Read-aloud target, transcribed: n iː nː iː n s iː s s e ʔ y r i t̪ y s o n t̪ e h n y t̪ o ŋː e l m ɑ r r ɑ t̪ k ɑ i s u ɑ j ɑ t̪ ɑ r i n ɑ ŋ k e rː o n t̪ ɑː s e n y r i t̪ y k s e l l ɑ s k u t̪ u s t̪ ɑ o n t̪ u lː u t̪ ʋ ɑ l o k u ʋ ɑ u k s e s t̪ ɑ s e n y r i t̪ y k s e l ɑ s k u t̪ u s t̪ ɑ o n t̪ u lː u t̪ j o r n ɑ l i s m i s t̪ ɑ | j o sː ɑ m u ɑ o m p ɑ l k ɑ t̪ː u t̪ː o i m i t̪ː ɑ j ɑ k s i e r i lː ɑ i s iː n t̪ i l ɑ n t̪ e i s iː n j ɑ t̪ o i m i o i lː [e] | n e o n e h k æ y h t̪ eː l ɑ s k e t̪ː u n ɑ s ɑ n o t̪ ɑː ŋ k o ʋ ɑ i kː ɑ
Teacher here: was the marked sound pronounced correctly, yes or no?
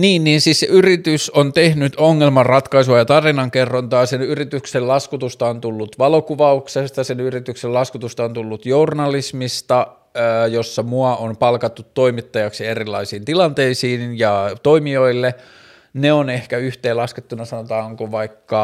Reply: yes